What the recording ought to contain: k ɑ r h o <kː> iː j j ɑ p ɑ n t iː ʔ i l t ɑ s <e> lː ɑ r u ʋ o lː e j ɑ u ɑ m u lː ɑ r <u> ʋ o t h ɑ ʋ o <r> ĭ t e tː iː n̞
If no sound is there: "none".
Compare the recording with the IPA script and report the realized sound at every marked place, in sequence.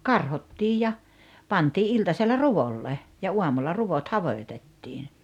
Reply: tː, e, u, none

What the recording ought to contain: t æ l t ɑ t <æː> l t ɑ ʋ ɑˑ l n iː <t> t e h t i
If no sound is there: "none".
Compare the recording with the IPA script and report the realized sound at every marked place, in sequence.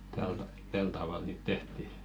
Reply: æ, t

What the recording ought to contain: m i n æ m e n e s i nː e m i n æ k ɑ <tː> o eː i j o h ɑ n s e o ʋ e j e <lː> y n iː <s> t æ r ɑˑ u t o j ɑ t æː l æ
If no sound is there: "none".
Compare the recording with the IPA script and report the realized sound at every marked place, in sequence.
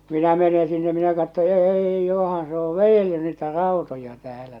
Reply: tː, lː, none

